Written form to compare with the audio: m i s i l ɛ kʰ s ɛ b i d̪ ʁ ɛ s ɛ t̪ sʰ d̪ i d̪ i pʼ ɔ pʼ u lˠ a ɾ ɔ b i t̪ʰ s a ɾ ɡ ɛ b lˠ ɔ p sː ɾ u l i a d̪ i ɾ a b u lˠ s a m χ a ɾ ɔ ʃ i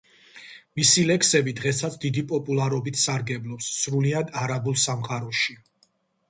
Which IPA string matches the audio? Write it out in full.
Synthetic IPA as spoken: m i s i l ɛ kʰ s ɛ b i d̪ ʁ ɛ s a t̪ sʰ d̪ i d̪ i pʼ ɔ pʼ u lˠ a ɾ ɔ b i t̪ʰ s a ɾ ɡ ɛ b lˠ ɔ p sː ɾ u l i a d̪ a ɾ a b u lˠ s a m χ a ɾ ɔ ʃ i